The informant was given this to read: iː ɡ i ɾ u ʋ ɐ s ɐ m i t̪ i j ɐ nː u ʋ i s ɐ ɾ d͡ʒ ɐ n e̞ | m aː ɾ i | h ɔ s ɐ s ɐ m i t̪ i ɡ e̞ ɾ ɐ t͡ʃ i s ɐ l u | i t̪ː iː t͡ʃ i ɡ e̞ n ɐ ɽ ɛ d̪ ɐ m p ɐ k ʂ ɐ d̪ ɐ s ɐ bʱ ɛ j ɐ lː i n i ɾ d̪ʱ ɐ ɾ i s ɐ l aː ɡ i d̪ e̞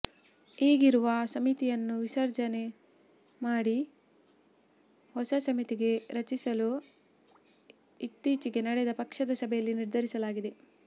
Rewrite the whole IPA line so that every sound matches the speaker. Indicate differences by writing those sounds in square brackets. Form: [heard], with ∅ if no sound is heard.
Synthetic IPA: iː ɡ i ɾ u ʋ ɐ s ɐ m i t̪ i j ɐ nː u ʋ i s ɐ ɾ d͡ʒ ɐ n e̞ | m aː [ɽ] i | h ɔ s ɐ s ɐ m i t̪ i ɡ e̞ ɾ ɐ t͡ʃ i s ɐ l u | i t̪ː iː t͡ʃ i ɡ e̞ n ɐ ɽ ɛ d̪ ɐ [∅] p ɐ k ʂ ɐ d̪ ɐ s ɐ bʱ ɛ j ɐ lː i n i ɾ d̪ʱ ɐ ɾ i s ɐ l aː ɡ i d̪ e̞